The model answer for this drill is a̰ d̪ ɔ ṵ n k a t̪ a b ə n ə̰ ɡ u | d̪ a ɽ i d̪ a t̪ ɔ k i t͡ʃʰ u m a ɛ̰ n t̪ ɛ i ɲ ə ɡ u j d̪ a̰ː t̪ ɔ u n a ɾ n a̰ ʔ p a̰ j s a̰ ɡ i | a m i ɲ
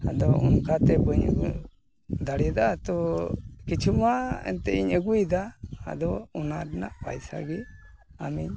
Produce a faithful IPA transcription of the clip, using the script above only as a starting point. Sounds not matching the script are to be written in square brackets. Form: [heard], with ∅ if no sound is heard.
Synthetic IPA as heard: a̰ d̪ ɔ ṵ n k a t̪ [ɛ] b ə [ɲ] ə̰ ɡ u | d̪ a ɽ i d̪ a t̪ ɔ k i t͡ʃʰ u m a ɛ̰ n t̪ ɛ i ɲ ə ɡ u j d̪ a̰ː [d̪] ɔ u n a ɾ n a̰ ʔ p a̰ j s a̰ ɡ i | a m i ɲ